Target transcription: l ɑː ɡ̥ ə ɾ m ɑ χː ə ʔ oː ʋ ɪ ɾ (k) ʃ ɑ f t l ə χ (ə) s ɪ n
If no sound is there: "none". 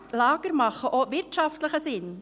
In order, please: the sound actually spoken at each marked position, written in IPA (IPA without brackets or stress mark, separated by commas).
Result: t, ə